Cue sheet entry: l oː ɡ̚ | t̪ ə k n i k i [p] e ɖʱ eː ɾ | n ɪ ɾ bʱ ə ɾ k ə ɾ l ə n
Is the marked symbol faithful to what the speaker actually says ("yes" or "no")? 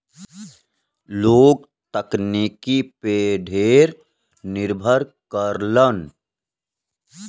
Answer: yes